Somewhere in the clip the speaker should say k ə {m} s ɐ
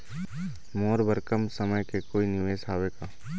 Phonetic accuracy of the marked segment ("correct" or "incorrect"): correct